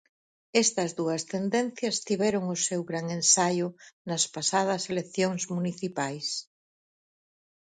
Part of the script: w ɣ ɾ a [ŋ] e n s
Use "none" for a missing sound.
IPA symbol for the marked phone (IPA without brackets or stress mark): ŋ